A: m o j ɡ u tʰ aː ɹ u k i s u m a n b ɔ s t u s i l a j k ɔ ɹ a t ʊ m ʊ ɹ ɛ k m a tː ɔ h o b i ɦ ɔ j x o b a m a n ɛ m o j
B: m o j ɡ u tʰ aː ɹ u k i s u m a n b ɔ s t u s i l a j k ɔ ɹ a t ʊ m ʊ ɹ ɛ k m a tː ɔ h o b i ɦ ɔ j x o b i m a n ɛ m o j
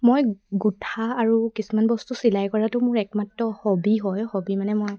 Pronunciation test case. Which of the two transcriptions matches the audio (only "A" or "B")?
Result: B